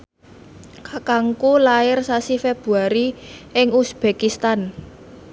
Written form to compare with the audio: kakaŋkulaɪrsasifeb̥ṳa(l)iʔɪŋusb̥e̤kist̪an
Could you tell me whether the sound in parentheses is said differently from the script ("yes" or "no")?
yes